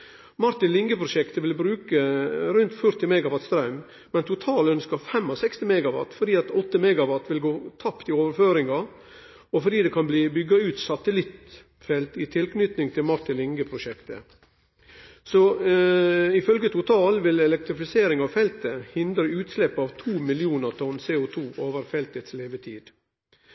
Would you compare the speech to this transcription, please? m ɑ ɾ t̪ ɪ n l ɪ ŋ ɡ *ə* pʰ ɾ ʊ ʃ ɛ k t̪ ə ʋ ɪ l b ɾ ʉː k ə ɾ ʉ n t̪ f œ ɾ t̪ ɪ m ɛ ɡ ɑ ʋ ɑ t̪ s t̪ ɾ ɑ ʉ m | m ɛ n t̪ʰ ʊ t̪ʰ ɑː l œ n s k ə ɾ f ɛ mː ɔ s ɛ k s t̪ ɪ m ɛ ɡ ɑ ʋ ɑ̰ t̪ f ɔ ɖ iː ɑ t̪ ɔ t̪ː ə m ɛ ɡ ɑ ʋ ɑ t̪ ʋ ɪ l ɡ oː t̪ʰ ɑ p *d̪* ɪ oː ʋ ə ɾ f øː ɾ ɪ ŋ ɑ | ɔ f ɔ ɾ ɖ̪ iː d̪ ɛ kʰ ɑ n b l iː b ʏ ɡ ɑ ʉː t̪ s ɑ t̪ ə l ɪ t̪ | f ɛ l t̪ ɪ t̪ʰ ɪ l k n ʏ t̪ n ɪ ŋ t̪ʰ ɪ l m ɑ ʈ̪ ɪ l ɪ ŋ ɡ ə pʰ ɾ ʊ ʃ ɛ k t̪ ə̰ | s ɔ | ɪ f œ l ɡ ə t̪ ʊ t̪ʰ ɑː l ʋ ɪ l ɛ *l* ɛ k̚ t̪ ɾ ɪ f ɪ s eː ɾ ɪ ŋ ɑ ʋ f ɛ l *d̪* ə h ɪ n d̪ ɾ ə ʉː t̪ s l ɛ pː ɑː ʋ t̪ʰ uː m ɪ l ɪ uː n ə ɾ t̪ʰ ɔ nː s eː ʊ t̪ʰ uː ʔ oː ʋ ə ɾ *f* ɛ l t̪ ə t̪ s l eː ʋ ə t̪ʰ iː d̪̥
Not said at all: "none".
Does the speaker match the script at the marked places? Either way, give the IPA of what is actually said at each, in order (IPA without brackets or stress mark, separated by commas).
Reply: ə, t̪, l, t̪, f